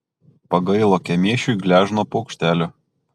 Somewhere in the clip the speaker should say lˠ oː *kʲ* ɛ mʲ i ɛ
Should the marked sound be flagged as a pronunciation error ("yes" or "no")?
no